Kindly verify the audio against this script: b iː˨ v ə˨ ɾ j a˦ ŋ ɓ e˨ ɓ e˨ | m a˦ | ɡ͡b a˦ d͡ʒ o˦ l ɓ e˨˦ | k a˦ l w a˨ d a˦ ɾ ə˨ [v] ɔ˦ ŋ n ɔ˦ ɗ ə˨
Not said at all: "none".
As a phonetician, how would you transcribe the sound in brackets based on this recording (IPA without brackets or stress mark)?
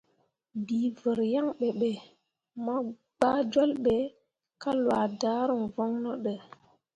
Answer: v